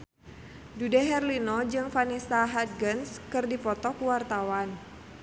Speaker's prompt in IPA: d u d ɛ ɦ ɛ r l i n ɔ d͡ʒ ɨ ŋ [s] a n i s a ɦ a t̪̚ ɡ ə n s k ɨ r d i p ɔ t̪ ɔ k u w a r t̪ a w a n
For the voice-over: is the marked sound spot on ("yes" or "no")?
no